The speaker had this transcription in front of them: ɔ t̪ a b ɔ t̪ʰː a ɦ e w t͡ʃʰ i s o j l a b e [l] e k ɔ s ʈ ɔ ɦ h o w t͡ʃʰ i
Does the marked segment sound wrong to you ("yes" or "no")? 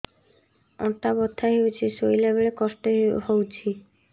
yes